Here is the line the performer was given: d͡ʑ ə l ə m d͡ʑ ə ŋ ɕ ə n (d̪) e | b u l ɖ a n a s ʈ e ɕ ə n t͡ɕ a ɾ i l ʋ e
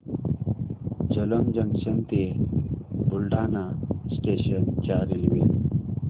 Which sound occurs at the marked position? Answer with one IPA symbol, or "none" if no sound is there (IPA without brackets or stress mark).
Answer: t̪